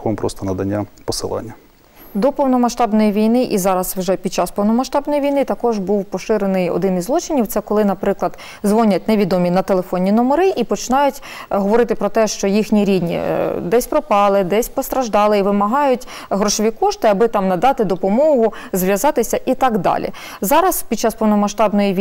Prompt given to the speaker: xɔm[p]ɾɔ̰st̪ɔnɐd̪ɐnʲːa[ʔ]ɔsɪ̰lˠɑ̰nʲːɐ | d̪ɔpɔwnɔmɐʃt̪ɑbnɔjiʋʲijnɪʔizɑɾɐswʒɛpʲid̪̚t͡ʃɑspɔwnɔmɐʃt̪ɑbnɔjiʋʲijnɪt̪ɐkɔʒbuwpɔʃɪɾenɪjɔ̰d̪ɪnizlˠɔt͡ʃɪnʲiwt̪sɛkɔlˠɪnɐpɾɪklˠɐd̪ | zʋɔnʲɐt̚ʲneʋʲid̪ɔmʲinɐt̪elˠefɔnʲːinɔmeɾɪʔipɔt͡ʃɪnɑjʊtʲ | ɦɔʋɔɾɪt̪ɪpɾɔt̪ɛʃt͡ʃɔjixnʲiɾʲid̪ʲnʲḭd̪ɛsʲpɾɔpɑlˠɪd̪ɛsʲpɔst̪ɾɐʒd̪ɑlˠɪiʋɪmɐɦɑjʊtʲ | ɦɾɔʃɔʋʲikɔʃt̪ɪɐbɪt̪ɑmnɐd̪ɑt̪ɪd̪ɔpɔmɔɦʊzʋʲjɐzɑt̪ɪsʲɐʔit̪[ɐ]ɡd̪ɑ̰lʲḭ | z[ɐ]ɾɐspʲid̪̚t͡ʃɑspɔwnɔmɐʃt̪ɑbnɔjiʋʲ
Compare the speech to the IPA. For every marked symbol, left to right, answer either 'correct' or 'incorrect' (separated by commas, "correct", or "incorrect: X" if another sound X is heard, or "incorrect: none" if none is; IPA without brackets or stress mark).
correct, incorrect: p, incorrect: ɑ, incorrect: ɑ